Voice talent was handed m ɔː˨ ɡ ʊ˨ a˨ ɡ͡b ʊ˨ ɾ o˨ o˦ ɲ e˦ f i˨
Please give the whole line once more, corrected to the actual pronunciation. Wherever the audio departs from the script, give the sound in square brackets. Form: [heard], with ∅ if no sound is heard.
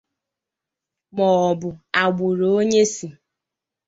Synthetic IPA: m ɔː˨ [b] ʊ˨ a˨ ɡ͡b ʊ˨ ɾ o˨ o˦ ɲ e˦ [s] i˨

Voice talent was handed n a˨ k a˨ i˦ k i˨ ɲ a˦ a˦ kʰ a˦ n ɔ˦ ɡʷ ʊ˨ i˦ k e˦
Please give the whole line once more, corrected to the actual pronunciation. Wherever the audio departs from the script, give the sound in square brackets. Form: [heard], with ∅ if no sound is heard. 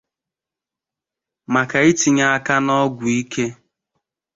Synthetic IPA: [m] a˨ k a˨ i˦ [t] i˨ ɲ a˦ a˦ [k] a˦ n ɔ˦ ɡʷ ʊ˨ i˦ k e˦

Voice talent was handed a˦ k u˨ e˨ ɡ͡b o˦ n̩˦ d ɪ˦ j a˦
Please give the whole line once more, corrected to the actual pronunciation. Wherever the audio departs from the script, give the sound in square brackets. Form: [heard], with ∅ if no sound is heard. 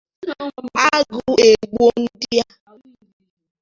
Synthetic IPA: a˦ [ɡ] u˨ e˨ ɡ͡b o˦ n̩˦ d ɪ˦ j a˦

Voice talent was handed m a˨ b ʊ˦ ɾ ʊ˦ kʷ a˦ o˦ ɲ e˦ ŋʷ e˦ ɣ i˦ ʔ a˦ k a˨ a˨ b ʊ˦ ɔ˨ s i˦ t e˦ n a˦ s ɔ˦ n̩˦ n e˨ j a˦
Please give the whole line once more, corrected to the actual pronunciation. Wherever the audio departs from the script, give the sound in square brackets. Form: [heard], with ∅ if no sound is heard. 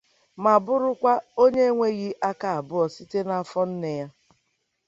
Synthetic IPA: m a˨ b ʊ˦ ɾ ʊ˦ kʷ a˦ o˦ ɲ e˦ ŋʷ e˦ ɣ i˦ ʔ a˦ k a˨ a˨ b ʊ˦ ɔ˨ s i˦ t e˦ n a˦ [f] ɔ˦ n̩˦ n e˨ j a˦

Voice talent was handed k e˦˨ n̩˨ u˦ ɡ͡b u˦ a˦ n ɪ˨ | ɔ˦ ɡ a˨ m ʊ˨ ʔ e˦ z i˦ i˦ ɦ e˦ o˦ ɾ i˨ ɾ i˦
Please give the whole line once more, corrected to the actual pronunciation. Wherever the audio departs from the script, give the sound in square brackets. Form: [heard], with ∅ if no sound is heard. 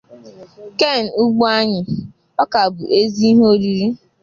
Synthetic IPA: k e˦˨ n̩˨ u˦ ɡ͡b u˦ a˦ [ɲ] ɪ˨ | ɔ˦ [k] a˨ [b] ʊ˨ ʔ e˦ z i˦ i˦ ɦ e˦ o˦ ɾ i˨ ɾ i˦

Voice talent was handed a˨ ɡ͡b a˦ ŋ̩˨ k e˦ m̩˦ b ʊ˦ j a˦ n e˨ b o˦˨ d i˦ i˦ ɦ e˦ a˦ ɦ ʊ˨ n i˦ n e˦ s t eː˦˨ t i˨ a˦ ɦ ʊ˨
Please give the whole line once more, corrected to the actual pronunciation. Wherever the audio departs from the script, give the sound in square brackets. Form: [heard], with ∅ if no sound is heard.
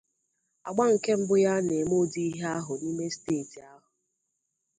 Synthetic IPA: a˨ ɡ͡b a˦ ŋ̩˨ k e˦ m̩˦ b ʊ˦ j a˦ n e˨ [m] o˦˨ d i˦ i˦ ɦ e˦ a˦ ɦ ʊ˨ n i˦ [m] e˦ s t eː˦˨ t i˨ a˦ ɦ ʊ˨

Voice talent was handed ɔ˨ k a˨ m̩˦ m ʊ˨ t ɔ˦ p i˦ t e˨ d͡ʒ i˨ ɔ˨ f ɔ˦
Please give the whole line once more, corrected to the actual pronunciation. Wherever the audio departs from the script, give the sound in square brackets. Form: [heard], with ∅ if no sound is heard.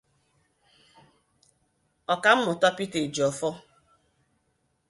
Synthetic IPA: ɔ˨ k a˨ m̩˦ m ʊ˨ t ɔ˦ p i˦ t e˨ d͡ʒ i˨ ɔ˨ f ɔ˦

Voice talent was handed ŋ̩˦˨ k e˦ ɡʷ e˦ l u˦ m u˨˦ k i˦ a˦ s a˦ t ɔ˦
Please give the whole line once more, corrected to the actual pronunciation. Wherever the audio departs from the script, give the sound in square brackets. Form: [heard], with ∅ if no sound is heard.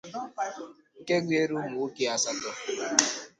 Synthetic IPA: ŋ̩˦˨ k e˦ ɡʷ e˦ [ɾ] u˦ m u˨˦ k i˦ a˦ s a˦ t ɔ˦

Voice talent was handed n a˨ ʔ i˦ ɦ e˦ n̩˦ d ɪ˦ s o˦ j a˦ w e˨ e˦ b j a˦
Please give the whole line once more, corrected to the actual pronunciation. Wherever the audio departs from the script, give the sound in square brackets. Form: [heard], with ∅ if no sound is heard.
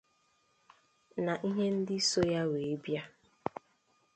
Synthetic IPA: n a˨ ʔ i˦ ɦ e˦ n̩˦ d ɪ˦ s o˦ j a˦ w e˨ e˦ b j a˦

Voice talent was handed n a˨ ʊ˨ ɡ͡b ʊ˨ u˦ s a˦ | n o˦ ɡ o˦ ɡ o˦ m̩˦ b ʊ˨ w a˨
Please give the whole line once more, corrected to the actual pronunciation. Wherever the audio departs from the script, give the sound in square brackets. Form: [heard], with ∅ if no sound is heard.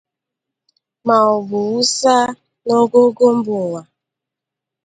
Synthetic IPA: [m] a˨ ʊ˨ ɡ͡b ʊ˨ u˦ s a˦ | n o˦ ɡ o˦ ɡ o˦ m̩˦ b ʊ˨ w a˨

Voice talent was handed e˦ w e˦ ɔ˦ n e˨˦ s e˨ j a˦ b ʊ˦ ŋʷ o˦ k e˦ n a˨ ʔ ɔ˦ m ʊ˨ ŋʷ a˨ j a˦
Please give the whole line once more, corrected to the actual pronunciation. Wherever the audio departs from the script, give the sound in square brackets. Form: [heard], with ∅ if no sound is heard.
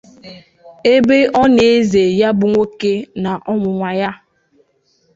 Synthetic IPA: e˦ [b] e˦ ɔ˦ n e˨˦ [z] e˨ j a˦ b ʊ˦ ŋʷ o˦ k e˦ n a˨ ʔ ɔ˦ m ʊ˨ ŋʷ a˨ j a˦

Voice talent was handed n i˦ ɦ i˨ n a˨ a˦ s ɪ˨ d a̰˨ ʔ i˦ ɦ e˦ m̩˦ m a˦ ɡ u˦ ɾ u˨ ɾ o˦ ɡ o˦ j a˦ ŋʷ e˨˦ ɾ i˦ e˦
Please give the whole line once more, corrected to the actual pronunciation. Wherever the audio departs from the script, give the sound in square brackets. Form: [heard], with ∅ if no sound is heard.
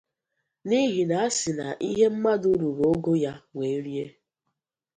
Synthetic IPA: n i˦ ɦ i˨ n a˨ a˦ s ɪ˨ [n] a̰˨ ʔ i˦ ɦ e˦ m̩˦ m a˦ [d] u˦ ɾ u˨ ɾ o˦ ɡ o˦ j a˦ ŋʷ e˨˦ ɾ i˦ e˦

